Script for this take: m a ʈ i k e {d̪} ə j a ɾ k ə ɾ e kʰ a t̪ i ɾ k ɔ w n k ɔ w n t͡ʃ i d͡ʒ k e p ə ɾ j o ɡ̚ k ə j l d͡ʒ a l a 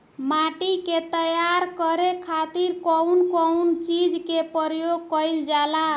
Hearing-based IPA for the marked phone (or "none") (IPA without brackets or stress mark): t̪